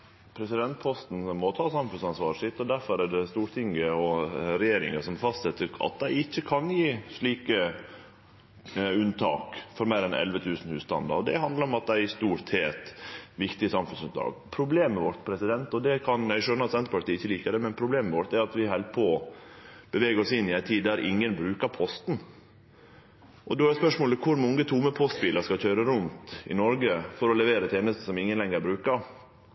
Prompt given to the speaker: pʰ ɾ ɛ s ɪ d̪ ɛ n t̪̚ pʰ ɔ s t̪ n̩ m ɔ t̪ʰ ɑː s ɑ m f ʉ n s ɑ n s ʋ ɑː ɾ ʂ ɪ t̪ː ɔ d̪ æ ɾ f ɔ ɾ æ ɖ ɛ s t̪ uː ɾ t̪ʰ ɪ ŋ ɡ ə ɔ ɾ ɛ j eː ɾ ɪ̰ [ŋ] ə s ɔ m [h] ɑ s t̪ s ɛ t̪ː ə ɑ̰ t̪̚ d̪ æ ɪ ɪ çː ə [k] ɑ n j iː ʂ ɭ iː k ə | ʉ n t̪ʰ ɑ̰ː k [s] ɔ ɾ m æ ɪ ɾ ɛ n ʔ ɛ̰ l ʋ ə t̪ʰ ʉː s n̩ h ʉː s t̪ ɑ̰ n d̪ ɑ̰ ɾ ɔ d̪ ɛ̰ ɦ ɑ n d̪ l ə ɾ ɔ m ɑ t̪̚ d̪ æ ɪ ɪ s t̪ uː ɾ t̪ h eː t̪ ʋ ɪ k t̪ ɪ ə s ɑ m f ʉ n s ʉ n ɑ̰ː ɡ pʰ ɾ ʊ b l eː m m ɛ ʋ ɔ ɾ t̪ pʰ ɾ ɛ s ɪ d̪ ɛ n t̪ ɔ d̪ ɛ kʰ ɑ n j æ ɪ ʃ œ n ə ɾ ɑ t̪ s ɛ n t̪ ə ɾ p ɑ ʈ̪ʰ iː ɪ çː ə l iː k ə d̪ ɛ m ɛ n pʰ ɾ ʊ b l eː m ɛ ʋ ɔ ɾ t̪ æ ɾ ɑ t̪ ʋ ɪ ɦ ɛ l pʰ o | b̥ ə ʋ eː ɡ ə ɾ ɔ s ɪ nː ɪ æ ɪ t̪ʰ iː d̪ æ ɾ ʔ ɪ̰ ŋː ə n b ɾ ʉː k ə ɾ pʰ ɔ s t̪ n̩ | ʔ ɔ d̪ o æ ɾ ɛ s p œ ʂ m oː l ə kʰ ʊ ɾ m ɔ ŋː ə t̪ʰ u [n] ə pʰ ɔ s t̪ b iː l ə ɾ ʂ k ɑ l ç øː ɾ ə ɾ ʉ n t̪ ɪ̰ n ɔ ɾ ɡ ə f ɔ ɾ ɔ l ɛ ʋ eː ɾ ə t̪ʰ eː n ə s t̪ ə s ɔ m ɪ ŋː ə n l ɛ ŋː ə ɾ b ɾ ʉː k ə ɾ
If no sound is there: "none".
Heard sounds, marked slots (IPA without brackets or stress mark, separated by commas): ŋ, f, kʰ, f, m